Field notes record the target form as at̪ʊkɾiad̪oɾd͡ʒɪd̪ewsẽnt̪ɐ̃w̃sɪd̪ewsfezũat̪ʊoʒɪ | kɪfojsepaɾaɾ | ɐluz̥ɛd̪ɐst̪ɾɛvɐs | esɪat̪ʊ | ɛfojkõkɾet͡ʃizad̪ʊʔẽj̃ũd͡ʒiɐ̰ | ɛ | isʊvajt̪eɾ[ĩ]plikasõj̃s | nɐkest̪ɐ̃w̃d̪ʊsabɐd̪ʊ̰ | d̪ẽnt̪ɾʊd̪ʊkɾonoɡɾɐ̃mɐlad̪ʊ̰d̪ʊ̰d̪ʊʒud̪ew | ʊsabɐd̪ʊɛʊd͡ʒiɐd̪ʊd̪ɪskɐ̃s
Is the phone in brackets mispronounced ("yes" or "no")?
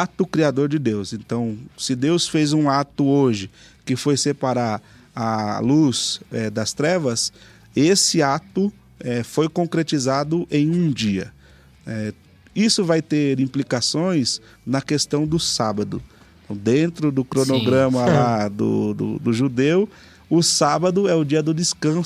no